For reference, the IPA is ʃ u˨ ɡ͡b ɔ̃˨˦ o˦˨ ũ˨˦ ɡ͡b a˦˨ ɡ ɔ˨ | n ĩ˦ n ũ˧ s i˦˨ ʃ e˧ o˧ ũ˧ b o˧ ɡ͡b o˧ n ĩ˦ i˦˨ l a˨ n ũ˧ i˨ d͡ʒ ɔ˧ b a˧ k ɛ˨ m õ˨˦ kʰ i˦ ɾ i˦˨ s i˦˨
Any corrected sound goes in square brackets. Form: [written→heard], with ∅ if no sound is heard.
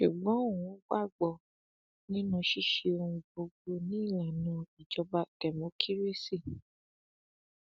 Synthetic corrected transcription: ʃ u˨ ɡ͡b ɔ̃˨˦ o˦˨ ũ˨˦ ɡ͡b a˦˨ [ɡ→ɡ͡b] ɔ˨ | n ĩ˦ n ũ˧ [s→ʃ] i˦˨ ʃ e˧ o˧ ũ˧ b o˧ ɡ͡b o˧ n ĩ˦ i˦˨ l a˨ n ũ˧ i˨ d͡ʒ ɔ˧ b a˧ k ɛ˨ m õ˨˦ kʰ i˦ ɾ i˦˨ s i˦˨